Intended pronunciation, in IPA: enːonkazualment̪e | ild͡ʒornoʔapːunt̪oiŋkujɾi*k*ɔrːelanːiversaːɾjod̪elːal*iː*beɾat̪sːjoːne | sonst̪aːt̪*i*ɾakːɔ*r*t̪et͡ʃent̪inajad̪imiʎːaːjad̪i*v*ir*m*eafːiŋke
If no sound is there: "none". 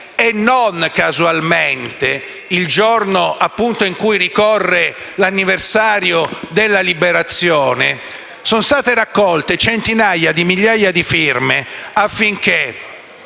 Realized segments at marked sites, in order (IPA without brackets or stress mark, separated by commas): k, i, e, l, f, m